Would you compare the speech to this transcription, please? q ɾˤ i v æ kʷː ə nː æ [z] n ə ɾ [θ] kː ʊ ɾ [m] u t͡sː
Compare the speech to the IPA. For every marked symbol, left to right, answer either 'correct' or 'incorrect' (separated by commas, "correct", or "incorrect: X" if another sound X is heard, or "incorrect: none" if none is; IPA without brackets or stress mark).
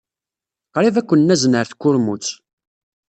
correct, correct, correct